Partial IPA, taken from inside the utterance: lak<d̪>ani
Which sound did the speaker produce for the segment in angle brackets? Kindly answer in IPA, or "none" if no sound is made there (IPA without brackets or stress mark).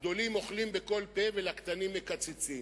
t̪